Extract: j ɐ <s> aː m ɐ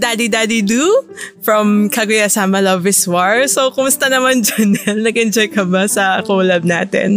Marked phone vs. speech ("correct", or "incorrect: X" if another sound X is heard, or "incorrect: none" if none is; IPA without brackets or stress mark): correct